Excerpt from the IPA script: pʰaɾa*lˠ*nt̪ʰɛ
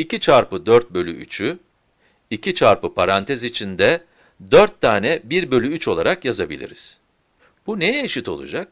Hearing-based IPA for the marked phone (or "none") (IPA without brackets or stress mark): none